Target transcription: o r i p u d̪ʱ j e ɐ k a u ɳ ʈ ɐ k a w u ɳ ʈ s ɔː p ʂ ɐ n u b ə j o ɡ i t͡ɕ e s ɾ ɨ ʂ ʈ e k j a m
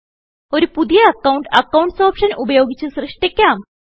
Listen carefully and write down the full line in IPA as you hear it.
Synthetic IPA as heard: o ɾ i p u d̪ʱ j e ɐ k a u ɳ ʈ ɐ k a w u ɳ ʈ s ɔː p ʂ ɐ n u b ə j o ɡ i t͡ɕ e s ɾ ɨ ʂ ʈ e k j a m